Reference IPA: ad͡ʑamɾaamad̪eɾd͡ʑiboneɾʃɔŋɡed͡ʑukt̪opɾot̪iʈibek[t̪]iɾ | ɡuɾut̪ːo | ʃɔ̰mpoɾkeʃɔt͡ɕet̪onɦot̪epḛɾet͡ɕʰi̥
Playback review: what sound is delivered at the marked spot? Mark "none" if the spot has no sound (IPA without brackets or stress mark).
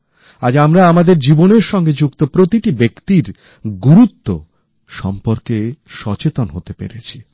t̪